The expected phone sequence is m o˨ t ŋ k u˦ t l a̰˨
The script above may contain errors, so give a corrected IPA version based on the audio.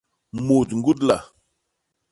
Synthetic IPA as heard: m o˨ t ŋ ɡ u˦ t l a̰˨